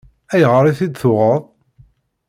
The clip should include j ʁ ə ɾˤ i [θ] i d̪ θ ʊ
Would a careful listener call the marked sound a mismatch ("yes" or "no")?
no